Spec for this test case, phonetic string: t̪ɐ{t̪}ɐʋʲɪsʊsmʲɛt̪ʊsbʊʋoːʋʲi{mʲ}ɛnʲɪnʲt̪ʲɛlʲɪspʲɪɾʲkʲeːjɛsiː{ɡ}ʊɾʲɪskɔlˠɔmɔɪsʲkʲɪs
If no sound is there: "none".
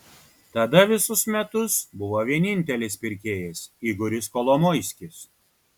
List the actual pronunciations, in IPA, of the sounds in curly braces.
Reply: d̪, none, ɡ

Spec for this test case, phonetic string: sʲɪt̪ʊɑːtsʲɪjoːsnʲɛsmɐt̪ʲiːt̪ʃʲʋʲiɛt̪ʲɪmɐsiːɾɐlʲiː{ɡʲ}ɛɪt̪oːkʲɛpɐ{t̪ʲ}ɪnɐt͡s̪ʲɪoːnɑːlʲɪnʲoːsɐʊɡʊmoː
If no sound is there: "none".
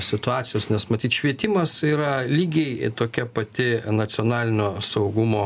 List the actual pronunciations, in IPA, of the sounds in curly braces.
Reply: ɡʲ, t̪ʲ

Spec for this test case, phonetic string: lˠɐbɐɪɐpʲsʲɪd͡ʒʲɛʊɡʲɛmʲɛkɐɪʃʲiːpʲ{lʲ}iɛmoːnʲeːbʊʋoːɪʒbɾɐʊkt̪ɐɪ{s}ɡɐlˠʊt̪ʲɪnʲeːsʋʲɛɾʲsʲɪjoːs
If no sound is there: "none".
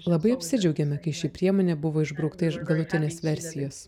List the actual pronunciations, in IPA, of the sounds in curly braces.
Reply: ɾʲ, ʃ

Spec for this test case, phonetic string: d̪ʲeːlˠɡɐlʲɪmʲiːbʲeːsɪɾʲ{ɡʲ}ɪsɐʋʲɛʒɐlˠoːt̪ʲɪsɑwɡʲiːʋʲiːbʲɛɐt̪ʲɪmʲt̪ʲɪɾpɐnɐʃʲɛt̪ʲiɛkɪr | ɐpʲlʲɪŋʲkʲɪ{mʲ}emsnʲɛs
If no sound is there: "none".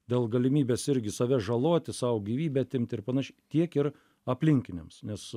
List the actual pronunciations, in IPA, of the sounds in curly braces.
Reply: ɡʲ, nʲ

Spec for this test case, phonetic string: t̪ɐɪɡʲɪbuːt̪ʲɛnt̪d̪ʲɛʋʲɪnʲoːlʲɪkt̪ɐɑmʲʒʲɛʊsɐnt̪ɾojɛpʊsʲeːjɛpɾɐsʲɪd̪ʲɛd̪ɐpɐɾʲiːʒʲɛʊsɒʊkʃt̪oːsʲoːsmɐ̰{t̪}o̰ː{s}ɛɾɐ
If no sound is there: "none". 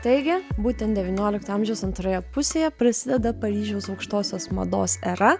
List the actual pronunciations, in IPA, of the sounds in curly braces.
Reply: d̪, s

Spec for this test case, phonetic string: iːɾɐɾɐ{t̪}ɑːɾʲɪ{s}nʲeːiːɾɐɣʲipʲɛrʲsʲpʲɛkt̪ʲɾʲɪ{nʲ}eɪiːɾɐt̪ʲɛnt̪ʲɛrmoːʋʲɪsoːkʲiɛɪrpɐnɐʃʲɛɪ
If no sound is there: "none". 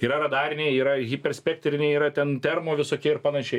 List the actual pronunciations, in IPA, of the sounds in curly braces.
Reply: d̪, none, nʲ

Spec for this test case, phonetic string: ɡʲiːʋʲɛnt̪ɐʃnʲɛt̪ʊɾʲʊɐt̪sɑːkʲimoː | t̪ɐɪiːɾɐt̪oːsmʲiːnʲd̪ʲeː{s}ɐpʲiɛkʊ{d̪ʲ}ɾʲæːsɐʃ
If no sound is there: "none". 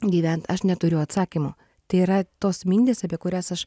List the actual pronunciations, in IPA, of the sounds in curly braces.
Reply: s, none

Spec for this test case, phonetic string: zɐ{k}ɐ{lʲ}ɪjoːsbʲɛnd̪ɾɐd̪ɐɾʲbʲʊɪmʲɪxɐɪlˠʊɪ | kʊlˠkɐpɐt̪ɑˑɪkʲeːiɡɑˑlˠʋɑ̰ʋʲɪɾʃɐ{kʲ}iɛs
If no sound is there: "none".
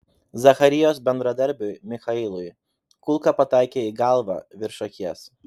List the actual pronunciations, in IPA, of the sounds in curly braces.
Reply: x, ɾʲ, kʲ

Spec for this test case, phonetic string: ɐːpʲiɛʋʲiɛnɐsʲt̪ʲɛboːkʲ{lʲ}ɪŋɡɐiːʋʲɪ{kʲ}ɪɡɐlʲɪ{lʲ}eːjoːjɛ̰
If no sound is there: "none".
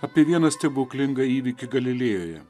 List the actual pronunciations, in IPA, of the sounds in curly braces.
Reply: lʲ, kʲ, lʲ

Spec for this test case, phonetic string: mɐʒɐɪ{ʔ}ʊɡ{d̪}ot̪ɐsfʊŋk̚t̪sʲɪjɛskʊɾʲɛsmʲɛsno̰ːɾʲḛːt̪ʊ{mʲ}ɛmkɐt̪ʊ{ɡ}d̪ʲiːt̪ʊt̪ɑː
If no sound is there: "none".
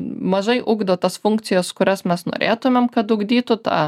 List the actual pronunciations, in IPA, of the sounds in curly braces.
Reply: ʔ, d̪, mʲ, ɡ

